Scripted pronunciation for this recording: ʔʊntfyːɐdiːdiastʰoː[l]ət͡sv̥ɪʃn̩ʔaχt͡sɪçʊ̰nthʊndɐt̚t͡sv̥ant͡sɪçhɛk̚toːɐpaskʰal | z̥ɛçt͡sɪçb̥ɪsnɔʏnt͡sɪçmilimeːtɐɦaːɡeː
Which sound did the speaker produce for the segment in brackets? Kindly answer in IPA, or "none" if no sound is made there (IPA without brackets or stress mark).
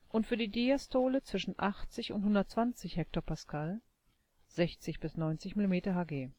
l